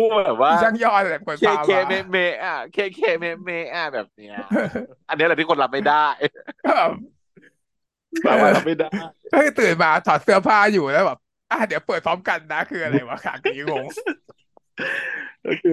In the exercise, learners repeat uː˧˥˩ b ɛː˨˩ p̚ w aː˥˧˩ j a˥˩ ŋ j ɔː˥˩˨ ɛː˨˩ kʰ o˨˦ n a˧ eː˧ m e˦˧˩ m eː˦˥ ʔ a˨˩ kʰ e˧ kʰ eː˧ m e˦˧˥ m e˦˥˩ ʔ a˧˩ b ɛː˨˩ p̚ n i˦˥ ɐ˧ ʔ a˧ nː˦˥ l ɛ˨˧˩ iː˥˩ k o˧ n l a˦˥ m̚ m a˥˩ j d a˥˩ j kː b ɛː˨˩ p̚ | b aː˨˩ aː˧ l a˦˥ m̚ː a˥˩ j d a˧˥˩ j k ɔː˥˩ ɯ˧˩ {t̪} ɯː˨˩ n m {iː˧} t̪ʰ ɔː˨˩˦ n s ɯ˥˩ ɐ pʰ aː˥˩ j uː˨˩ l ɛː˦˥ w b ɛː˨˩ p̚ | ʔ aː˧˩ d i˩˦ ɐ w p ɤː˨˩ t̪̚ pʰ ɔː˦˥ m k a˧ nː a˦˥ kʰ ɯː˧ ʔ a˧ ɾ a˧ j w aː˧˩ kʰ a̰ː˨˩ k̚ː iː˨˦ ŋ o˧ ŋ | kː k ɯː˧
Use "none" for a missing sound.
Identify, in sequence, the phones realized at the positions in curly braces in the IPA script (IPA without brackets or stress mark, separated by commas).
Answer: t̪, aː˧